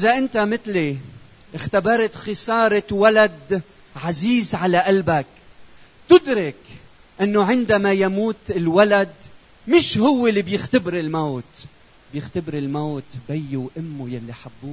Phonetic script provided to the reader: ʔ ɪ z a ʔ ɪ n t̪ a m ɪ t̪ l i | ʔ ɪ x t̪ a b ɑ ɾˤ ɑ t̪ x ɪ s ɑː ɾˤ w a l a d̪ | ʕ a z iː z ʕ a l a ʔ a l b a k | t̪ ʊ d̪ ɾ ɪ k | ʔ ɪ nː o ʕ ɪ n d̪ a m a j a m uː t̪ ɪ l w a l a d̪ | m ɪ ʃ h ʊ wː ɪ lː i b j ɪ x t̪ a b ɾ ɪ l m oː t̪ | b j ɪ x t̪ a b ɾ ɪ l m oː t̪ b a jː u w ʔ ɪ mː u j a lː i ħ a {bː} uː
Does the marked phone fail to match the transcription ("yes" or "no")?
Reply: no